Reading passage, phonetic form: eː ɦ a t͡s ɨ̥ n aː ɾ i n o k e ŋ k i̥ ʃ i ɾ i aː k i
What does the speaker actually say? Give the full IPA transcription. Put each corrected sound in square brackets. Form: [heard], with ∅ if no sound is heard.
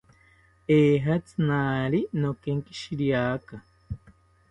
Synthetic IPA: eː ɦ a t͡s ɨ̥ n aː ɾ i n o k e ŋ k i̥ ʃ i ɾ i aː k [a]